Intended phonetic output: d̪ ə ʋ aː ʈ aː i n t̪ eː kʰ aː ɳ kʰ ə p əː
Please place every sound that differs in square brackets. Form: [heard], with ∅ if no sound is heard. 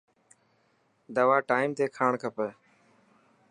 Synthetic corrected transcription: d̪ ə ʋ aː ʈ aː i [m] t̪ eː kʰ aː ɳ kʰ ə p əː